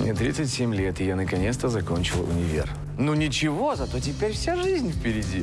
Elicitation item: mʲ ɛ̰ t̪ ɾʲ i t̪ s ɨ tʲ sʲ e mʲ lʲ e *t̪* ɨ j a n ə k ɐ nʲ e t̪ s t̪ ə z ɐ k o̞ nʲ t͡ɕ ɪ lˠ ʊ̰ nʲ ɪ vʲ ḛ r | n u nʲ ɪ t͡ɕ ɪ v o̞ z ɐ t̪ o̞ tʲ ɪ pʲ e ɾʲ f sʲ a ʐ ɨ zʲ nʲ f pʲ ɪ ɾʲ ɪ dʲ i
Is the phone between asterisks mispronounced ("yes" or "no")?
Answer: no